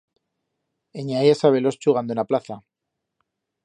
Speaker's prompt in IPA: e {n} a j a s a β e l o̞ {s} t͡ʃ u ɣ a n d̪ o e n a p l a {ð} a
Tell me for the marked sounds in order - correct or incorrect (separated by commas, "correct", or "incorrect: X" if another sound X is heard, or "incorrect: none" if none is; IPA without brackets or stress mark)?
incorrect: ɲ, correct, incorrect: θ